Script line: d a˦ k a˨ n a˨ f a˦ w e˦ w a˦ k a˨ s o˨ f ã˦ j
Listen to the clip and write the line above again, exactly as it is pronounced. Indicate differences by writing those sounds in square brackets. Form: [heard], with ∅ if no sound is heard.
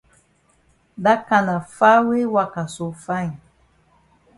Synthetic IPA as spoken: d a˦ k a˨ n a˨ f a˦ w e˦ w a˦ k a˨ s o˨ f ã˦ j